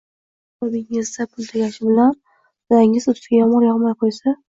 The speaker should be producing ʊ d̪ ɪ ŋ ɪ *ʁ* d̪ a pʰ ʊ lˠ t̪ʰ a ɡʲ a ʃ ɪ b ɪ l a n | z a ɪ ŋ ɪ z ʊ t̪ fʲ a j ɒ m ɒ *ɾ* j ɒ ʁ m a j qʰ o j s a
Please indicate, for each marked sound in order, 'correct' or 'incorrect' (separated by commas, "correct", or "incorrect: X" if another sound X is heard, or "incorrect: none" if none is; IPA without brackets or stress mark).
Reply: incorrect: z, correct